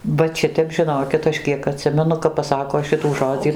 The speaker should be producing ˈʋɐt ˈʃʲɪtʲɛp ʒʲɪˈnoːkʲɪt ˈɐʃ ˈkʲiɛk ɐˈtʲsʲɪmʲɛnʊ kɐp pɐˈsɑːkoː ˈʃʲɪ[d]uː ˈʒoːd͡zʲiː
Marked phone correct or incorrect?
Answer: incorrect: t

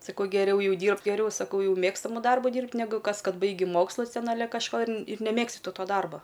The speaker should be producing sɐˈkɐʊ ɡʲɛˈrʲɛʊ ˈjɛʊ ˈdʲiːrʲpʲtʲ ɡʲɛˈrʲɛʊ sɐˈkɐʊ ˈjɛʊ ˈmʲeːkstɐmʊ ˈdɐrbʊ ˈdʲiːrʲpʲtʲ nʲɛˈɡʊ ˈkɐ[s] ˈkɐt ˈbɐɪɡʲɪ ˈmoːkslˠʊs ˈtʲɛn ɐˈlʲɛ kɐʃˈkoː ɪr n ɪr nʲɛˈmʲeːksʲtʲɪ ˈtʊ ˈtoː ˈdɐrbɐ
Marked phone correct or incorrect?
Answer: correct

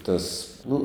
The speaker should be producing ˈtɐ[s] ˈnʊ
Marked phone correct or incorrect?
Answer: correct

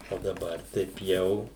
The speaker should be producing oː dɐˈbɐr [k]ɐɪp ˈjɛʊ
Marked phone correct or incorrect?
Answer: incorrect: t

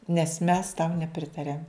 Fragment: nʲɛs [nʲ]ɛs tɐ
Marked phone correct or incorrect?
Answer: incorrect: mʲ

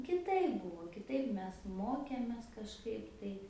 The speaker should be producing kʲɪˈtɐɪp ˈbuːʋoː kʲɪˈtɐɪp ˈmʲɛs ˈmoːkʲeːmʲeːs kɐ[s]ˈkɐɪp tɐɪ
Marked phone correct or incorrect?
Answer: incorrect: ʃ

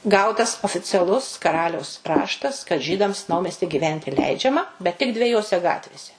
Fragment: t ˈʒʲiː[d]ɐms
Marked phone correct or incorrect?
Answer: correct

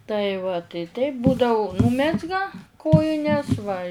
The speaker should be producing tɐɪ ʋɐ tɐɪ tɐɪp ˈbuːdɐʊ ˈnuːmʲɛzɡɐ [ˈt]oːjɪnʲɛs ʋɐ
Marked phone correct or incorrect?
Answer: incorrect: k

